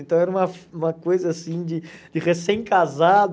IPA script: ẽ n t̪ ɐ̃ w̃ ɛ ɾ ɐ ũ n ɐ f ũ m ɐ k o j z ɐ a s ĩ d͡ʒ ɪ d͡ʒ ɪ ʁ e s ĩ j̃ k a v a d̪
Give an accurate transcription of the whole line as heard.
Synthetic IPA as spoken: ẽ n t̪ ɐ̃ w̃ ɛ ɾ ɐ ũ m ɐ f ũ m ɐ k o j z ɐ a s ĩ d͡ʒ ɪ d͡ʒ ɪ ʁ e s ẽ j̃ k a z a d̪